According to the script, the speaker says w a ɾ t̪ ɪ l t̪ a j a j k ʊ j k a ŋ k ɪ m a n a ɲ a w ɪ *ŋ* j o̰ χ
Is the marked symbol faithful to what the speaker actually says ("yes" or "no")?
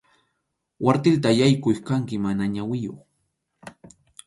no